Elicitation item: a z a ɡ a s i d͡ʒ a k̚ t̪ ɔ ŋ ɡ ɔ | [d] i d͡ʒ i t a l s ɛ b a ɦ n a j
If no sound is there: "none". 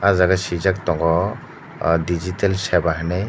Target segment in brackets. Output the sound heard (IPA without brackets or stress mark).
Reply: d